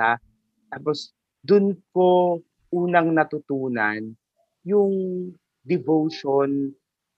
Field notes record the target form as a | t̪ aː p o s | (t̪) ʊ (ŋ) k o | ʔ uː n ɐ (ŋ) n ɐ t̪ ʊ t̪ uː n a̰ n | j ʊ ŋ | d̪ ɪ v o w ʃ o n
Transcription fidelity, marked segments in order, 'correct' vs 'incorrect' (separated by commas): incorrect, incorrect, correct